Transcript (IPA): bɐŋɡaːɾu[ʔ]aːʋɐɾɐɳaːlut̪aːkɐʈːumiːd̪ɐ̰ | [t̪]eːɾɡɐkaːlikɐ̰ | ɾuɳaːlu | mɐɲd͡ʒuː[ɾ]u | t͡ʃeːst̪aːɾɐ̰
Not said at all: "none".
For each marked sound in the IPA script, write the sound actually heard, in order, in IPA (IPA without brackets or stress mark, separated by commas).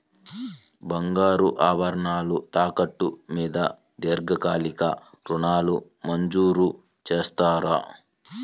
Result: ʔ, d̪, ɾ